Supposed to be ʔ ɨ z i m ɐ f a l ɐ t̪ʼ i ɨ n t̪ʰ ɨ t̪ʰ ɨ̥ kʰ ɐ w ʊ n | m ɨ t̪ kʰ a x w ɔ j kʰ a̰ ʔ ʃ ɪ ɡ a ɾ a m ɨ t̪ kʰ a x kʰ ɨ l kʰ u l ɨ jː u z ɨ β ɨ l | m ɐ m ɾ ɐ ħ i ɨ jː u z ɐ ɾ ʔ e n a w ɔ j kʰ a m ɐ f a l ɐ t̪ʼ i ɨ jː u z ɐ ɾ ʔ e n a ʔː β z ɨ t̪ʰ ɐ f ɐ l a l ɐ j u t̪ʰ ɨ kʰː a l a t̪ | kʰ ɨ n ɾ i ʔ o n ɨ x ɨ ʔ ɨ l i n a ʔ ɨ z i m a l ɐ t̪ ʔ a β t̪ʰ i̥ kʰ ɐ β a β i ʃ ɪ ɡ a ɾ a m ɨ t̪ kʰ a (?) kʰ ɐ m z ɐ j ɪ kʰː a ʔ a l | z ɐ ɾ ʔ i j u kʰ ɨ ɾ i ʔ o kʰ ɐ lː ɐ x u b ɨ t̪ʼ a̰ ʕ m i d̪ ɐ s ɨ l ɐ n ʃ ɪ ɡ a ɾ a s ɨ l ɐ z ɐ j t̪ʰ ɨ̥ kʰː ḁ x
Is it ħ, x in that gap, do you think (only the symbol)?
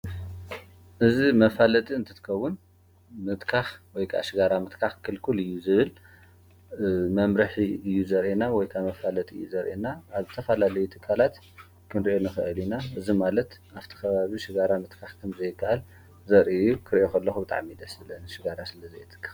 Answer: x